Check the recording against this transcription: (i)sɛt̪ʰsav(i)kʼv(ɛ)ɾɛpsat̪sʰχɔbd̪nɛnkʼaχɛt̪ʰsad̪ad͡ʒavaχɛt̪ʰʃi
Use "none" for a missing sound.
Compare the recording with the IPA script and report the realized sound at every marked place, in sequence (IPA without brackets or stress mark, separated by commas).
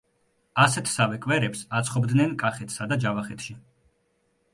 a, ɛ, ɛ